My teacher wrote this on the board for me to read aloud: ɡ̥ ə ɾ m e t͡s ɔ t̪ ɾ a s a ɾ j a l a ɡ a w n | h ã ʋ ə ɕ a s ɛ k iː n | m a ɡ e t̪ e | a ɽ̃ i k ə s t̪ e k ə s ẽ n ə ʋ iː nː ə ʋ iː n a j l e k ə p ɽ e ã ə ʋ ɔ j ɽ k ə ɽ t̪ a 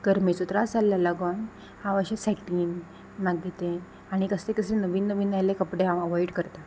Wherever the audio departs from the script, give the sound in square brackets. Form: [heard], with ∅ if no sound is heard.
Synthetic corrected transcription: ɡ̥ ə ɾ m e t͡s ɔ t̪ ɾ a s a [l] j a l a ɡ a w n | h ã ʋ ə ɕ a s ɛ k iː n | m a ɡ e t̪ e | a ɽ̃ i k ə s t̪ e k ə s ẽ n ə ʋ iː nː ə ʋ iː n a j l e k ə p ɽ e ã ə ʋ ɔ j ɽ k ə [ɾ] t̪ a